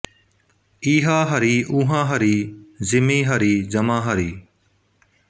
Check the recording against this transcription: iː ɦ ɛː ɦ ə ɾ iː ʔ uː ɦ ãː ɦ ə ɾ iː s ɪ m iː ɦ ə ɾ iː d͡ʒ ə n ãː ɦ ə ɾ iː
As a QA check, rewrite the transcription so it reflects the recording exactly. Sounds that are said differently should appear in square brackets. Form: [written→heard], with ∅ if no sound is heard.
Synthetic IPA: iː ɦ [ɛː→aː] ɦ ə ɾ iː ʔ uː ɦ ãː ɦ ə ɾ iː [s→z] ɪ m iː ɦ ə ɾ iː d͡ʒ ə [n→m] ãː ɦ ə ɾ iː